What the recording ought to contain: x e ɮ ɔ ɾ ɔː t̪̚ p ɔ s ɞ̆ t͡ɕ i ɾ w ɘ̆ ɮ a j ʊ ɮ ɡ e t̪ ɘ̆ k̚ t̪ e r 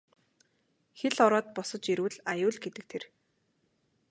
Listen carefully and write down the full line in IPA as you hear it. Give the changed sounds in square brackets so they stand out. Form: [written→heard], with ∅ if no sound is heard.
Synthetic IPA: x e ɮ ɔ ɾ ɔː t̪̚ p ɔ s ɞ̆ t͡ɕ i ɾ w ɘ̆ ɮ a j [ʊ→ʊː] ɮ ɡ e t̪ ɘ̆ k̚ [t̪→t̪ʰ] e r